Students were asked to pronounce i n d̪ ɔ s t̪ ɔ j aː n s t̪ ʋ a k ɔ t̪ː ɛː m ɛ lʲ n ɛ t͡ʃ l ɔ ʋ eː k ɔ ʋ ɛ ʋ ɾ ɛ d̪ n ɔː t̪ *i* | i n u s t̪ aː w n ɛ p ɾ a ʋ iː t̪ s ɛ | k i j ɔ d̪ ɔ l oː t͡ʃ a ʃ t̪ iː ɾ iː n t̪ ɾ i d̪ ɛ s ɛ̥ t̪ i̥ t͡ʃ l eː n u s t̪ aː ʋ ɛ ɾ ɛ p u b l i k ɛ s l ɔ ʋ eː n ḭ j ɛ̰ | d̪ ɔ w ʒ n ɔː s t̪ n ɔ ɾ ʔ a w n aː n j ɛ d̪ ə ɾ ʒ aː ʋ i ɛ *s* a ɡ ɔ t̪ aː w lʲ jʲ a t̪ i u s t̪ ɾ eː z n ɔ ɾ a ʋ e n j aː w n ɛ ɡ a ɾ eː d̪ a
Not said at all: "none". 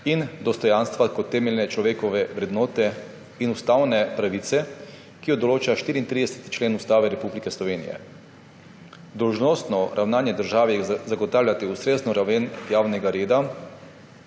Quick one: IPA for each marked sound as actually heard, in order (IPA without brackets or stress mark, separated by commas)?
ɛ, z